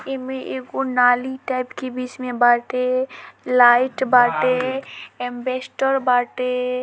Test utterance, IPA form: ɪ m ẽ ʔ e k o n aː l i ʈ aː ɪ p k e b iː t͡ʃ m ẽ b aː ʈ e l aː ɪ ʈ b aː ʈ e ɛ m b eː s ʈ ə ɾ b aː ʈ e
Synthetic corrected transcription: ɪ m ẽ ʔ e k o n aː l i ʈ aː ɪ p k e b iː t͡ʃ m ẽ b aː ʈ e l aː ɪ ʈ b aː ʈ e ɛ m b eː s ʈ ə ɾ b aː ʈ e